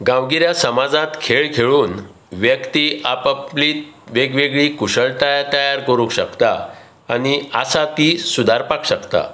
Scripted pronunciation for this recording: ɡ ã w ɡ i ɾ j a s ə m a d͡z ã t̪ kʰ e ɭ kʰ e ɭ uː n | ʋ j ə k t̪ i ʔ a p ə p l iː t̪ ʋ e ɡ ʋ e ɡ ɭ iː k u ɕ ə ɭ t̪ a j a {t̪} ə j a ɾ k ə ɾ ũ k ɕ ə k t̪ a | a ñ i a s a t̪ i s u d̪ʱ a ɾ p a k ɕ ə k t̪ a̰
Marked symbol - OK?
yes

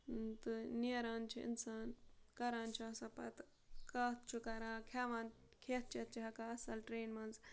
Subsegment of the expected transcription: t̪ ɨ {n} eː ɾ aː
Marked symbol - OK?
yes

